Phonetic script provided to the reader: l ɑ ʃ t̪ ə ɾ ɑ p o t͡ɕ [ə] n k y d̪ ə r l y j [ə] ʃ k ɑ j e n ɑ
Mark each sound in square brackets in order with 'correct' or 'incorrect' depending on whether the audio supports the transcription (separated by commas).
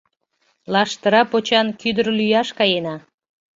incorrect, incorrect